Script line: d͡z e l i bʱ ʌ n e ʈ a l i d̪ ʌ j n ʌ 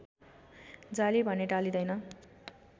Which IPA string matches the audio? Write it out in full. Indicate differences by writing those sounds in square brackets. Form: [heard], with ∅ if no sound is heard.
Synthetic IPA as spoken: d͡z [a] l i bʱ ʌ n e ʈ a l i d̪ ʌ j n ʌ